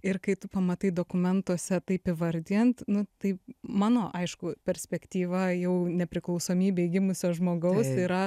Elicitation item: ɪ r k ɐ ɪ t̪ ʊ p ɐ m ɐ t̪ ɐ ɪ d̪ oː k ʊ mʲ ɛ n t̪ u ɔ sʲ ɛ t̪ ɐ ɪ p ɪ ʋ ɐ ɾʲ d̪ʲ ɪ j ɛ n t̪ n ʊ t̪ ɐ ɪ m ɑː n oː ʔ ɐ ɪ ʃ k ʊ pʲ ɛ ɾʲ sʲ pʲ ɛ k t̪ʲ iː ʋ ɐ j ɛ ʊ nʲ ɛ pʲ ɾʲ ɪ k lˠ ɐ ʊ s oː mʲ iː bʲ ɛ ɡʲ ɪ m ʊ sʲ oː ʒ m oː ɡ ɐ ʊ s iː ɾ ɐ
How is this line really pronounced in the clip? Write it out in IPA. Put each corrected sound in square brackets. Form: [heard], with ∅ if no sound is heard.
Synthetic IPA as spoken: ɪ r k ɐ ɪ t̪ ʊ p ɐ m ɐ t̪ ɐ ɪ d̪ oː k ʊ mʲ ɛ n t̪ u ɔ sʲ ɛ t̪ ɐ ɪ p ɪ ʋ ɐ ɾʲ d̪ʲ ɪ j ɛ n t̪ n ʊ t̪ ɐ ɪ m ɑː n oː ʔ ɐ ɪ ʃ k ʊ pʲ ɛ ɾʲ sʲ pʲ ɛ k t̪ʲ iː ʋ ɐ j ɛ ʊ nʲ ɛ pʲ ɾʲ ɪ k lˠ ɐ ʊ s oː mʲ iː bʲ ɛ ɡʲ ɪ m ʊ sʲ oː ʒ m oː ɡ ɐ ʊ s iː ɾ ɐ